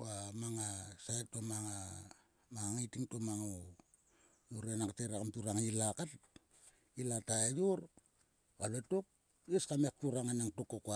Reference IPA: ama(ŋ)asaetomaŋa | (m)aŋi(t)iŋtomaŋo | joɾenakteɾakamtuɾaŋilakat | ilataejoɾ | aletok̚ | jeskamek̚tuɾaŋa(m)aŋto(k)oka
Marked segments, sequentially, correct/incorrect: correct, correct, correct, incorrect: n, correct

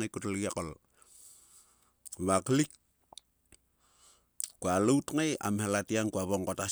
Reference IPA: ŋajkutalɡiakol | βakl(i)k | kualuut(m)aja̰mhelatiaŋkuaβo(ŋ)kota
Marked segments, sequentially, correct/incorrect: correct, incorrect: ŋ, correct

